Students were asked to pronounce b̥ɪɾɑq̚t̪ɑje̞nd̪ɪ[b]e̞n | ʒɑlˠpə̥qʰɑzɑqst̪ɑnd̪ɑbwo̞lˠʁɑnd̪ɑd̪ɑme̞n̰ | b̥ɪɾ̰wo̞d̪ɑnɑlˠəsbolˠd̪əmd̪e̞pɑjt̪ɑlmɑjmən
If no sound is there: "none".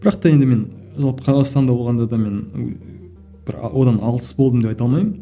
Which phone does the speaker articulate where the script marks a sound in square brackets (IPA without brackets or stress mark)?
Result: m